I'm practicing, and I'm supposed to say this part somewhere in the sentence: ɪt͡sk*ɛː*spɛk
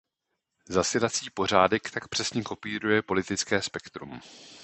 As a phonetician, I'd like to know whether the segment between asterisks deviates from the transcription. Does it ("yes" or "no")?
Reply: no